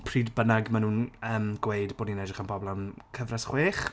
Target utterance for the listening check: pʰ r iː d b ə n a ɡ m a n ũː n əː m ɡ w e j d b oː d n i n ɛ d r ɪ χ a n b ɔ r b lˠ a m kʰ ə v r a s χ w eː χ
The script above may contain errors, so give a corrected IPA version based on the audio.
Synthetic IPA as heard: pʰ r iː d b ə n a ɡ m a n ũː n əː m ɡ w e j d b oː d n i n ɛ d r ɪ χ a n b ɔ b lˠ a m kʰ ə v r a s χ w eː χ